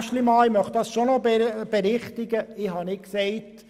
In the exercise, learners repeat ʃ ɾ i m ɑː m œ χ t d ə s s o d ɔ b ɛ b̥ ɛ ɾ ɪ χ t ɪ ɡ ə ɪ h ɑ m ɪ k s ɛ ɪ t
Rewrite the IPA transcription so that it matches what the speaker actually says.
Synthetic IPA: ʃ l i m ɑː m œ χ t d ɑ s ʃ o n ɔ b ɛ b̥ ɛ ɾ ɪ χ t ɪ ɡ ə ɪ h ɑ n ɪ k s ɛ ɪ t